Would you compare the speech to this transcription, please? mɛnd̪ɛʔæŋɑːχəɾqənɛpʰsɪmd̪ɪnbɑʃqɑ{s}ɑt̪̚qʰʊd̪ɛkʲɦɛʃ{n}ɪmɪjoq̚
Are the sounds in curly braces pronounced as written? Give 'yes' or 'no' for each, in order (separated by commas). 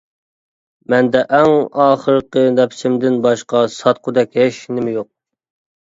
yes, yes